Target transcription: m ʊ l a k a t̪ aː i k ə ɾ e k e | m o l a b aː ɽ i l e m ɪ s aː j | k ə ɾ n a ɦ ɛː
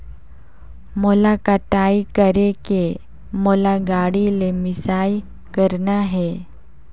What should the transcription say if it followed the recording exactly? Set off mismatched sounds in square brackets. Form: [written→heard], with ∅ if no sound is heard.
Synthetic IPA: m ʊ l a k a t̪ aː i k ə ɾ e k e | m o l a [b→ɡ] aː ɽ i l e m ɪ s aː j | k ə ɾ n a ɦ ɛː